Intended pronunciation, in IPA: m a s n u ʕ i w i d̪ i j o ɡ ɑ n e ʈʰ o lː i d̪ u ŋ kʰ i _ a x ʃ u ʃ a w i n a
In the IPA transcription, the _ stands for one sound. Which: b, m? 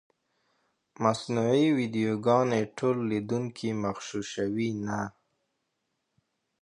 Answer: m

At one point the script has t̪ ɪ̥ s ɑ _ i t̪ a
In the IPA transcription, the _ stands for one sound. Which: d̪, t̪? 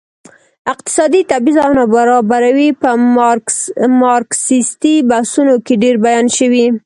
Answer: d̪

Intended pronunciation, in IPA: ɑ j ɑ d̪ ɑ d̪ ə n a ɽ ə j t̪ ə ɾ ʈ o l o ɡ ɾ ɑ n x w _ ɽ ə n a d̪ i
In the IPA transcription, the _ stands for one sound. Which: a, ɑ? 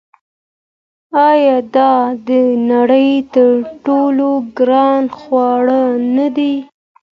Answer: ɑ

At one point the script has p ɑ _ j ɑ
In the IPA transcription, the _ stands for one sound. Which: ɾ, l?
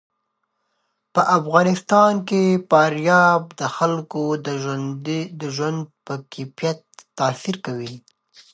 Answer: ɾ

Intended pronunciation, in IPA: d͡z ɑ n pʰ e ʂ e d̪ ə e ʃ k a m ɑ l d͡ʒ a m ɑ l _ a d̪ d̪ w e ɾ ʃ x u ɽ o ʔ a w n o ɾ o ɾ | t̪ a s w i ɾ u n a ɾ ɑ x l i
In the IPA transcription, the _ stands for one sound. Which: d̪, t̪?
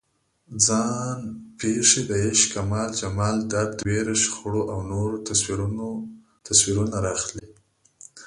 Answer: d̪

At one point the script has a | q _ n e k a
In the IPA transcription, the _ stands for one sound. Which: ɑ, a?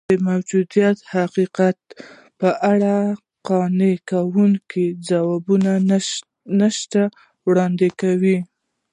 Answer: ɑ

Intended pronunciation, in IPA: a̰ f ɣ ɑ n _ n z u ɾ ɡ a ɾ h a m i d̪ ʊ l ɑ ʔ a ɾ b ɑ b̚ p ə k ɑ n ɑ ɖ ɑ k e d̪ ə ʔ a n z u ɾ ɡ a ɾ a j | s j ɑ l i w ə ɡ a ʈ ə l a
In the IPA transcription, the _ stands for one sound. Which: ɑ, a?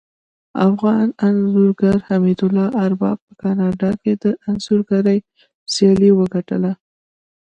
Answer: a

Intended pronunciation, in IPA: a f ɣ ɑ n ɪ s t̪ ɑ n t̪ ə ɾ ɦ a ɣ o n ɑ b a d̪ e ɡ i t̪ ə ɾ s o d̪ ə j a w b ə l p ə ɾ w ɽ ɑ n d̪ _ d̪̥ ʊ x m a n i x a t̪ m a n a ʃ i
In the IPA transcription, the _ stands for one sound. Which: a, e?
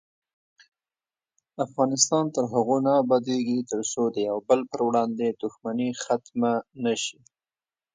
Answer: e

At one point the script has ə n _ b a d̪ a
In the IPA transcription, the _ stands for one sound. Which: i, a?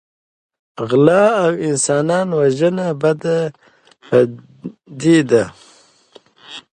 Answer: a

